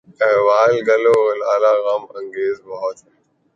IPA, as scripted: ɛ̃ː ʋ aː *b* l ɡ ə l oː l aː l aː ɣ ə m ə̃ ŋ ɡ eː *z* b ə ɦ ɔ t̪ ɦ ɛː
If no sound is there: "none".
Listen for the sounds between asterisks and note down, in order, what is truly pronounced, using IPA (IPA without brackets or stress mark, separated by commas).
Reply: none, z